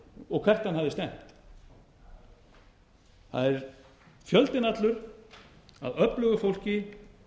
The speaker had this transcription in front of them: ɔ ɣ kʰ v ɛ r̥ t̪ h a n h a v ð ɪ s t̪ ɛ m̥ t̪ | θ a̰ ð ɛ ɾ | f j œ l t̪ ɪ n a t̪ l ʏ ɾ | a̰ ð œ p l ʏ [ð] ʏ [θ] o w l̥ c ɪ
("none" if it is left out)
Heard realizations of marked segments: ɣ, f

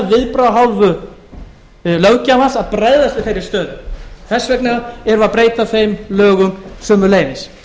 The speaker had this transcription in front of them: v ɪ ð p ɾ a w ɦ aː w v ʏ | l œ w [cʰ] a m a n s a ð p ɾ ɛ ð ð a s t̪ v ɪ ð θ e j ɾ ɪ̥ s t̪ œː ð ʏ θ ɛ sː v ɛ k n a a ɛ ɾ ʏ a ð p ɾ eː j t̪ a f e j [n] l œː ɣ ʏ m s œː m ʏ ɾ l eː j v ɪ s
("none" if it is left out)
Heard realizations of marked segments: c, m

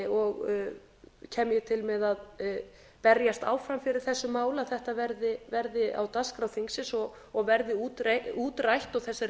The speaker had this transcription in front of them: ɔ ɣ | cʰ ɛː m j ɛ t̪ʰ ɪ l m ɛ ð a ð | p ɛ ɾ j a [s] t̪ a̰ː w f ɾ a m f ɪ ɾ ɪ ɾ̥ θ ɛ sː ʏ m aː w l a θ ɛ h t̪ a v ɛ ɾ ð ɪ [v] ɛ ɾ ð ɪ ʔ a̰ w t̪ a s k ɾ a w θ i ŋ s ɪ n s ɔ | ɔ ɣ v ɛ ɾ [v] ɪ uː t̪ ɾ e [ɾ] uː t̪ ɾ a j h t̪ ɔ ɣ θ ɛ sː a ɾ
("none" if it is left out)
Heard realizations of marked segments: s, v, ð, none

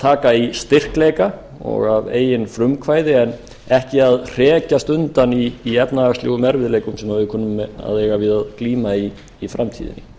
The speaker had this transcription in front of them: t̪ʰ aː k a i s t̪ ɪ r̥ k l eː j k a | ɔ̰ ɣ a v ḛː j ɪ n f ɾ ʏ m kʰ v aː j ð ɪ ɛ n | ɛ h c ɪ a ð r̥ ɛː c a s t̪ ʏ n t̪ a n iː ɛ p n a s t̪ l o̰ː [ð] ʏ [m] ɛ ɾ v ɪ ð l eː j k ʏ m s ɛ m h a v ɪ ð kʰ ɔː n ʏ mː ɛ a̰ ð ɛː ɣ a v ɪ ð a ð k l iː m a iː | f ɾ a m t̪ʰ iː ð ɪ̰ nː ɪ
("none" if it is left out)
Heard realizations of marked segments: ɣ, m

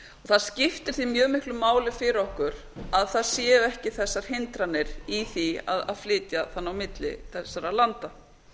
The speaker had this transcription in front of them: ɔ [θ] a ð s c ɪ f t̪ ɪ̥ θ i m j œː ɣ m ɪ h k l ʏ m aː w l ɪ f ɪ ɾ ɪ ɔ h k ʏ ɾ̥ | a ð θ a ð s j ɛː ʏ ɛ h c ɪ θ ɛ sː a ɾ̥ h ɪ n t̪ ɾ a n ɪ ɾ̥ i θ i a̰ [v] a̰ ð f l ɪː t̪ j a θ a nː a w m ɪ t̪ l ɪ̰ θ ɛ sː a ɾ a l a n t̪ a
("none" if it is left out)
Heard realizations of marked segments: θ, ð

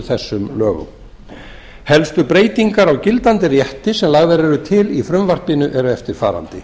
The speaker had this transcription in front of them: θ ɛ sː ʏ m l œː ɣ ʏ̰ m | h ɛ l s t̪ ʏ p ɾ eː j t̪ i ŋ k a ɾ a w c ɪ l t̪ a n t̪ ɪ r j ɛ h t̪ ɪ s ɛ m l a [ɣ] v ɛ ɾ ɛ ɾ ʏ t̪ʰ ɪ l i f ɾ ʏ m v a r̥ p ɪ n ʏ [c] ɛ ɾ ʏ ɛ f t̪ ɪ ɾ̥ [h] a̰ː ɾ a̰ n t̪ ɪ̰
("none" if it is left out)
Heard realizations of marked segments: ɣ, ʔ, f

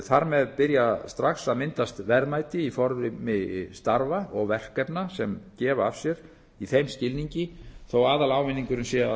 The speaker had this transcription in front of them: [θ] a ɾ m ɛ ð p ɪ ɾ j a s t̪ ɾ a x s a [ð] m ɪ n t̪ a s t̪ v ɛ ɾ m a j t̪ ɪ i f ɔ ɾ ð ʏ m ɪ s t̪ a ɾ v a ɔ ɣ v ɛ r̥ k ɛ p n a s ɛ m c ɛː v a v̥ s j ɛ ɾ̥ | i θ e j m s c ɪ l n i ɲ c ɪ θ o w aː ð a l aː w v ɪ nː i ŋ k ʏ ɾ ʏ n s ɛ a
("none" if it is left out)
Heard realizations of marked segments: θ, ð

